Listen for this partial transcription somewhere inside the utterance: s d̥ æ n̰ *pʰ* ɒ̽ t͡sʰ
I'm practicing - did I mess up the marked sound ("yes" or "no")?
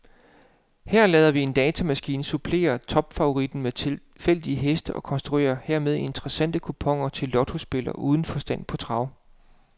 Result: no